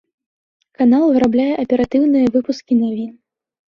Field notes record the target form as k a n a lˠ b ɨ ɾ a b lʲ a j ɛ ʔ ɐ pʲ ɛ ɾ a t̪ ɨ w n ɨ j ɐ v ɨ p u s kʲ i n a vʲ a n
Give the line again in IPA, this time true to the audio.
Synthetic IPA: k a n a lˠ v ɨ ɾ a b lʲ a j ɛ ʔ ɐ pʲ ɛ ɾ a t̪ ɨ w n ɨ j ɐ v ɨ p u s kʲ i n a vʲ i n